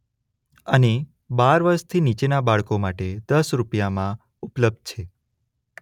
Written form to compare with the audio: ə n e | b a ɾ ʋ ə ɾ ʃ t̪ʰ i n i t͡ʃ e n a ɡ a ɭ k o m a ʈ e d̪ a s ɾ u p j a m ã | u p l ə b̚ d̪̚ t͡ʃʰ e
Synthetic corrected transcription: ə n e | b a ɾ ʋ ə ɾ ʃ t̪ʰ i n i t͡ʃ e n a b a ɭ k o m a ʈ e d̪ ə s ɾ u p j a m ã | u p l ə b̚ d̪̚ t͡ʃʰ e